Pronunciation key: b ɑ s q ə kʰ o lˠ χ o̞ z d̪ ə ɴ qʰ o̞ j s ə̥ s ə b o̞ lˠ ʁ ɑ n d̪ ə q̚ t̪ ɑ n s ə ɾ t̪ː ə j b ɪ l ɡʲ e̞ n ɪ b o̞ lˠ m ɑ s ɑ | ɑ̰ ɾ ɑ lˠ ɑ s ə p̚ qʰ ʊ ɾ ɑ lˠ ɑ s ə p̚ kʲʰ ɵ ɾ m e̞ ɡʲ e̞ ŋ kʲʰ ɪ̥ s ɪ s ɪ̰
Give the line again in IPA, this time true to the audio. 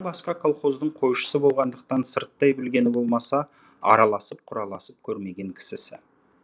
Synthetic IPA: b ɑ s q ɑ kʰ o lˠ χ o̞ z d̪ ə ɴ qʰ o̞ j ʃ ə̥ s ə b o̞ lˠ ʁ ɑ n d̪ ə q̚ t̪ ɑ n s ə ɾ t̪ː ɑ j b ɪ l ɡʲ e̞ n ɪ b o̞ lˠ m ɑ s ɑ | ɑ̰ ɾ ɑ lˠ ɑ s ə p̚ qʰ ʊ ɾ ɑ lˠ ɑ s ə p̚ kʲʰ ɵ ɾ m e̞ ɡʲ e̞ ŋ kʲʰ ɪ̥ s ɪ s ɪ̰

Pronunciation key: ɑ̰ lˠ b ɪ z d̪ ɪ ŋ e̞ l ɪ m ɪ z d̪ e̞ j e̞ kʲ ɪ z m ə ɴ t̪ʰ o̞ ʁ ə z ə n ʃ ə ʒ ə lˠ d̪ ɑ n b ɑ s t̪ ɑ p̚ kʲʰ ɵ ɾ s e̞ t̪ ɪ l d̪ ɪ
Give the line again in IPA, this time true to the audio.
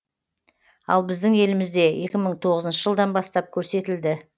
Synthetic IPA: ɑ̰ lˠ b ɪ z d̪ ɪ ŋ e̞ l ɪ m ɪ z d̪ e̞ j e̞ kʲ ɪ m ə ɴ t̪ʰ o̞ ʁ ə z ə n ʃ ə ʒ ə lˠ d̪ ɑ n b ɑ s t̪ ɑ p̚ kʲʰ ɵ ɾ s e̞ t̪ ɪ l d̪ ɪ

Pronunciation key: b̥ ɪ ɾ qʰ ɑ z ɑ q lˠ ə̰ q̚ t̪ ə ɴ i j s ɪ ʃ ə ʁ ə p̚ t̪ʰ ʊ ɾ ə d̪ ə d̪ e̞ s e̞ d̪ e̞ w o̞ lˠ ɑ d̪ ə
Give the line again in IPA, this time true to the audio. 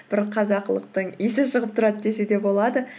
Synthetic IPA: b̥ ɪ ɾ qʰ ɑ z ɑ q lˠ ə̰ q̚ t̪ ə ɴ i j s ɪ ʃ ə ʁ ə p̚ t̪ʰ ʊ ɾ ɑ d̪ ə d̪ e̞ s e̞ d̪ e̞ b o̞ lˠ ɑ d̪ ə

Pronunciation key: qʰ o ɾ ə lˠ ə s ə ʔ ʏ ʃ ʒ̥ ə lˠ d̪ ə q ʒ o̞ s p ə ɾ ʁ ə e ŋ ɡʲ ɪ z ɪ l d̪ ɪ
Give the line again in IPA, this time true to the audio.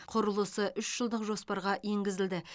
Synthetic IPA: qʰ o ɾ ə lˠ ə s ə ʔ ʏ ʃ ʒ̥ ə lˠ d̪ ə q ʒ o̞ s p ɑ ɾ ʁ ɑ e ŋ ɡʲ ɪ z ɪ l d̪ ɪ

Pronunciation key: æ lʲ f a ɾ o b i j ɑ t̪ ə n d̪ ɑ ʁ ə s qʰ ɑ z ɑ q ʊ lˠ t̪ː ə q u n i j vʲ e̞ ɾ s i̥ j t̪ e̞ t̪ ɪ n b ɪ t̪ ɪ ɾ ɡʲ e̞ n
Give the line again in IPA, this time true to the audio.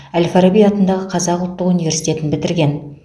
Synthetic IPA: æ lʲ f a ɾ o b i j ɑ t̪ ə n d̪ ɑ ʁ ə qʰ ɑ z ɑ q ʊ lˠ t̪ː ə q u n i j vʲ e̞ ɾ s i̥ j t̪ e̞ t̪ ɪ n b ɪ t̪ ɪ ɾ ɡʲ e̞ n

